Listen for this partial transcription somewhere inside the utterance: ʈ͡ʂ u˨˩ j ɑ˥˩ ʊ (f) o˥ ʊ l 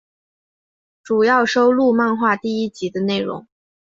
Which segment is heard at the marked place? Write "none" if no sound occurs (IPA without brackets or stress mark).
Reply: ʂ